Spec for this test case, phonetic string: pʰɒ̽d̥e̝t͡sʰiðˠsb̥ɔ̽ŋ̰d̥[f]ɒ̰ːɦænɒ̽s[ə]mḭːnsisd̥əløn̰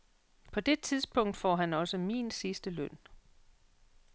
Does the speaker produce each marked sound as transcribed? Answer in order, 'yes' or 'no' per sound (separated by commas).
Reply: yes, yes